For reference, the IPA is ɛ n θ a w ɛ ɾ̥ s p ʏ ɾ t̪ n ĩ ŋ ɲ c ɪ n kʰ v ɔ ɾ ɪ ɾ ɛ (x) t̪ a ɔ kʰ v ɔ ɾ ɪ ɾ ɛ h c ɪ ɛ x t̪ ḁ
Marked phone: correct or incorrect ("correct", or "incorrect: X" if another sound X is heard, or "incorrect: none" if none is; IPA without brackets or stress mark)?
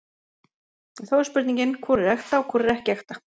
correct